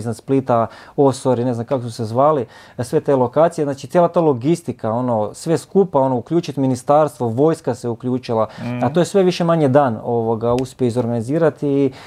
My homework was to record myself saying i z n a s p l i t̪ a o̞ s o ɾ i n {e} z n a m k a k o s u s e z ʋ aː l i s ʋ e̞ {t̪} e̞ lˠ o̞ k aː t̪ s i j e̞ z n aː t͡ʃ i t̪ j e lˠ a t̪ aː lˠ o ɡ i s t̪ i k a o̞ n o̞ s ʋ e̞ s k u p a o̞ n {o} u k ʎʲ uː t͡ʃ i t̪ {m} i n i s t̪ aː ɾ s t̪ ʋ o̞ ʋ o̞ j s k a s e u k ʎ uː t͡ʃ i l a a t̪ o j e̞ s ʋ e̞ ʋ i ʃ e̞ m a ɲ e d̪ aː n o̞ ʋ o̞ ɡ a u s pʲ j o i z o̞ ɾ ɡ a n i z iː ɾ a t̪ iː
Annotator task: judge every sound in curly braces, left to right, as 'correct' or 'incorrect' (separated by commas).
correct, correct, correct, correct